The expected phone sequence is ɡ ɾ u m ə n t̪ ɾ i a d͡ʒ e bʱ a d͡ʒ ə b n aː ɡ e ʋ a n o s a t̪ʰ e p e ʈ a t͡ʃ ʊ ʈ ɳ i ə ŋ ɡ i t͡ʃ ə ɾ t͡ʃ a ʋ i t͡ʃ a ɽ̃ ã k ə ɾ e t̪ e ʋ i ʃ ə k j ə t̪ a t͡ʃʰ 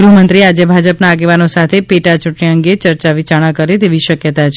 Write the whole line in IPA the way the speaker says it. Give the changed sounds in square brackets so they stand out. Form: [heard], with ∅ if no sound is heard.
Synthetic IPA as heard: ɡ ɾ u m ə n t̪ ɾ i a d͡ʒ e bʱ a d͡ʒ ə [p] n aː ɡ e ʋ a n o s a t̪ʰ e p e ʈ a t͡ʃ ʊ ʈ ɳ i ə ŋ ɡ [e] t͡ʃ ə ɾ t͡ʃ a ʋ i t͡ʃ a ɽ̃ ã k ə ɾ e t̪ e ʋ i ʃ ə k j ə t̪ a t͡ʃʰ